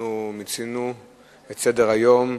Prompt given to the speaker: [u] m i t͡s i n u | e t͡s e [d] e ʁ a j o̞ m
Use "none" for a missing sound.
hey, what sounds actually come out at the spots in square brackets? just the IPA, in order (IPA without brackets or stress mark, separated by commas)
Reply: u, d